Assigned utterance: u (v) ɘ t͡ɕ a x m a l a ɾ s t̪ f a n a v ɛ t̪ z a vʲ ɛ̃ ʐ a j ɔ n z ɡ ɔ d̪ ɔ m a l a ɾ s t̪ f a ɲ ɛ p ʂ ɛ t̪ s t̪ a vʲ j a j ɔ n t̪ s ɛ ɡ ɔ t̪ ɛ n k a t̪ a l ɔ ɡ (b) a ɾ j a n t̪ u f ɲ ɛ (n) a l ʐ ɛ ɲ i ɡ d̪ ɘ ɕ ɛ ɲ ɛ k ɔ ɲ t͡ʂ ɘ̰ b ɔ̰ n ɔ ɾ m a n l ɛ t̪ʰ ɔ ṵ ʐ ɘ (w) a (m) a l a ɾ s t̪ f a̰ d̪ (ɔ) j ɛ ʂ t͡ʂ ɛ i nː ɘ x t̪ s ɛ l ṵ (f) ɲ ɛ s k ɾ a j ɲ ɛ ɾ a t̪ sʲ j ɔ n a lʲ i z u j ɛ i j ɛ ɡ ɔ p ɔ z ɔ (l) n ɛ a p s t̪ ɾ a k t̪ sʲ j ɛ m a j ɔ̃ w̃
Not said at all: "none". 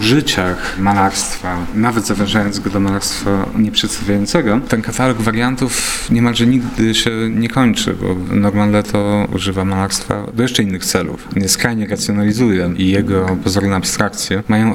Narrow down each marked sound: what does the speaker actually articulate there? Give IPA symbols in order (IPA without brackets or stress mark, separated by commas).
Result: ʐ, v, m, v, m, ɔ, f, ɾ